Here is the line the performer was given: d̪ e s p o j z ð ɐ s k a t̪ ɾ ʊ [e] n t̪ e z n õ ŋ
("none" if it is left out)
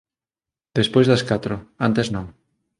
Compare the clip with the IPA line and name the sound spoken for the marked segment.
a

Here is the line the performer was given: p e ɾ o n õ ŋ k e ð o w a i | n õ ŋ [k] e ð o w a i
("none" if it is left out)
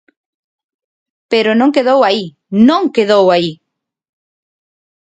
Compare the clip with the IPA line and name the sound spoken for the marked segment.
k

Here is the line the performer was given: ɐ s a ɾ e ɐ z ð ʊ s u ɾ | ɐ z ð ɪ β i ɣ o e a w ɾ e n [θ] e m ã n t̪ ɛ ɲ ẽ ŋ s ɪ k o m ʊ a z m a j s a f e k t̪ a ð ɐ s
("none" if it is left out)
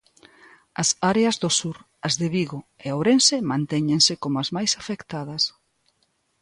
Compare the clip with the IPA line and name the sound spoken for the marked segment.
s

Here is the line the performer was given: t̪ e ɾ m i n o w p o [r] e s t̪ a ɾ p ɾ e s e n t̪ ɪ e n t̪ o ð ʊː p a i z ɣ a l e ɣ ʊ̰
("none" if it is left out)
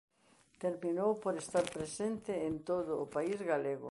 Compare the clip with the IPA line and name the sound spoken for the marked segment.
ɾ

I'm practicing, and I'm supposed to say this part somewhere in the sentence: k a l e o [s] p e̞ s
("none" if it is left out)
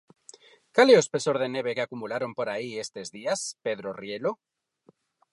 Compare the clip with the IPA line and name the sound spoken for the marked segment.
s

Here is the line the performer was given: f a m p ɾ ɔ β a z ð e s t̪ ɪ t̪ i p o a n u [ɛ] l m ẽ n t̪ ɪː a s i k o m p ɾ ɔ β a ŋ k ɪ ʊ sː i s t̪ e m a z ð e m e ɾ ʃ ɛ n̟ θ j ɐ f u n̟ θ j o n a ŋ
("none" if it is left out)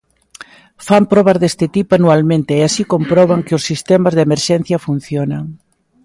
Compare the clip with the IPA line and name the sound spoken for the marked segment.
a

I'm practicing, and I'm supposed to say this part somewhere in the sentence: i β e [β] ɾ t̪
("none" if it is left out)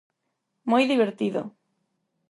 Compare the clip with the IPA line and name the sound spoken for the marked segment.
none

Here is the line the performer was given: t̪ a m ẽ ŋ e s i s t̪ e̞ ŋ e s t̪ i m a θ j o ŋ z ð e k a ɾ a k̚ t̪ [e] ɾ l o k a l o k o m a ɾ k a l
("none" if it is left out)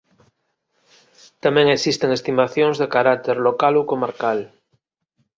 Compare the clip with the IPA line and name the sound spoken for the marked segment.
e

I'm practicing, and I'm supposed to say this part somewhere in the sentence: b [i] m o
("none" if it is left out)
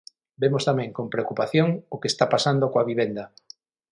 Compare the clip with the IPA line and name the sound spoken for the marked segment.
e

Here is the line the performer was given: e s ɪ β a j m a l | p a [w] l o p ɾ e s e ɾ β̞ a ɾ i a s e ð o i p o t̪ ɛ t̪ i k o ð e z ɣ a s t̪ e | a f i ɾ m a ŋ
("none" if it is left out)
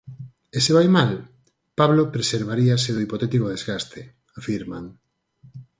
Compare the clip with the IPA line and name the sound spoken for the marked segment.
β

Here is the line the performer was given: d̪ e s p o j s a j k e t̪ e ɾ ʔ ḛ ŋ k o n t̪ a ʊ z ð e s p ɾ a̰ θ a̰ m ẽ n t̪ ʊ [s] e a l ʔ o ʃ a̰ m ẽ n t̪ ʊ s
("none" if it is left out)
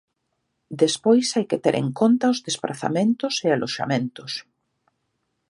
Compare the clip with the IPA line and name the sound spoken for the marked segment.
s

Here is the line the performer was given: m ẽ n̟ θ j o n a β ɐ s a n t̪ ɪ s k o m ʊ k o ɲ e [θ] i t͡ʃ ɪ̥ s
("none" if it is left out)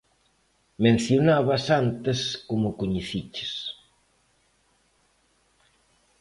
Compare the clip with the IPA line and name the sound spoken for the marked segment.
θ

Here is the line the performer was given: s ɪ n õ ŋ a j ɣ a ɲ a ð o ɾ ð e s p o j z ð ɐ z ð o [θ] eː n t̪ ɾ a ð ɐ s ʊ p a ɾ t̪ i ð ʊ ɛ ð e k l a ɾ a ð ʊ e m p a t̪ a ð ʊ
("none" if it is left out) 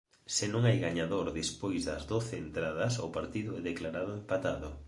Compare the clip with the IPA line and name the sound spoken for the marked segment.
θ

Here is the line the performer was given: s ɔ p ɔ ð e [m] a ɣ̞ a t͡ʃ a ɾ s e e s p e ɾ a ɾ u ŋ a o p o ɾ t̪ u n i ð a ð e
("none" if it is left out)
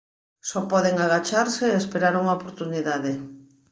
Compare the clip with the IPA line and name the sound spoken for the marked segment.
ŋ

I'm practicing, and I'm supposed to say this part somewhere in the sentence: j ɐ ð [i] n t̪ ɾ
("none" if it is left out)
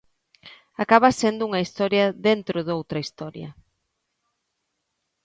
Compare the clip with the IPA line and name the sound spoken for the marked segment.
e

